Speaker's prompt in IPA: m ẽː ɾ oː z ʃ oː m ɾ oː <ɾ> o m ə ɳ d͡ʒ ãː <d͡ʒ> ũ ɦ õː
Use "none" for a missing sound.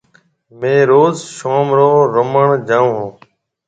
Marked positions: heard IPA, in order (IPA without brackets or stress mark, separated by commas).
ɾ, none